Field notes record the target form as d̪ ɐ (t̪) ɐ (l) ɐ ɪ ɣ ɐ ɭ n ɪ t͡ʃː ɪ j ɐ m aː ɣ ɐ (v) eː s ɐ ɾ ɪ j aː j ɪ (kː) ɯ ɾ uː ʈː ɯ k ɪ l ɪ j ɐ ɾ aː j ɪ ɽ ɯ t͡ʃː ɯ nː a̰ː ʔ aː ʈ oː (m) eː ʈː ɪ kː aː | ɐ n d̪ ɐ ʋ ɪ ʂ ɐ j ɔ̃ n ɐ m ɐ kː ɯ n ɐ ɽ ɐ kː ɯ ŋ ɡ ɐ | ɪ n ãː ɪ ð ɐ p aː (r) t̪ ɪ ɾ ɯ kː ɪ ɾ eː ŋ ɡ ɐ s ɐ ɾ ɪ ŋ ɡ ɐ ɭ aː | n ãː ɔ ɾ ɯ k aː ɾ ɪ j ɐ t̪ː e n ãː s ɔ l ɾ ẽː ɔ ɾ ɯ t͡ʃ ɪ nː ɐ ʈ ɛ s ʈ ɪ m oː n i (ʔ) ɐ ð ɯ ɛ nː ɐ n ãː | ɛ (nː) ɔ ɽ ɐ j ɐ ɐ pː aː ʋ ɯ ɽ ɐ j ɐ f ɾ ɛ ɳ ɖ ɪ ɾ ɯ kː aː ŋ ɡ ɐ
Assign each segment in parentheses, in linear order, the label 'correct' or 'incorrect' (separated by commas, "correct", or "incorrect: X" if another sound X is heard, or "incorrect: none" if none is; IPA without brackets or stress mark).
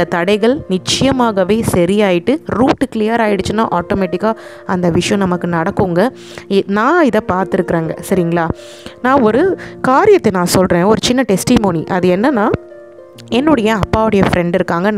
correct, incorrect: ɽ, incorrect: ʋ, incorrect: ʈː, correct, incorrect: ɾ, correct, correct